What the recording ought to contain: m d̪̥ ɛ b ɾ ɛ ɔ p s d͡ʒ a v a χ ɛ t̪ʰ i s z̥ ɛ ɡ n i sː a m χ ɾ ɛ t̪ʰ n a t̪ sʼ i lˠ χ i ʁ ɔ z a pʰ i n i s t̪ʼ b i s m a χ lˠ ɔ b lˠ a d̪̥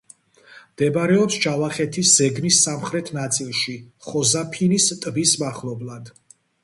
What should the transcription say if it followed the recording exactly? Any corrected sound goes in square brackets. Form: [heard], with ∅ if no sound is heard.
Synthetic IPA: m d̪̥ ɛ b ɾ ɛ ɔ p s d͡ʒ a v a χ ɛ t̪ʰ i s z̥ ɛ ɡ n i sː a m χ ɾ ɛ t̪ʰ n a t̪ sʼ i lˠ [ʃ] i [χ] ɔ z a pʰ i n i s t̪ʼ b i s m a χ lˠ ɔ b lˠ a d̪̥